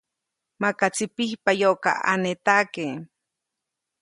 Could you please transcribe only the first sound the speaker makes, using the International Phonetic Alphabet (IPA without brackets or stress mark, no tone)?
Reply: m